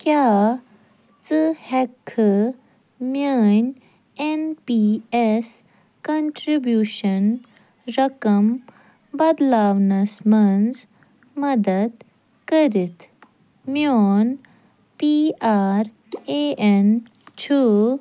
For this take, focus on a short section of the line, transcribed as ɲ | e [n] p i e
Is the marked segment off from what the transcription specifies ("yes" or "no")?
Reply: no